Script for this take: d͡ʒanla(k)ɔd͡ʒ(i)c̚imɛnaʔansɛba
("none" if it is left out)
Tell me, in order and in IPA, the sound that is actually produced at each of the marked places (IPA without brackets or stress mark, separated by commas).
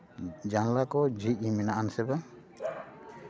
k, i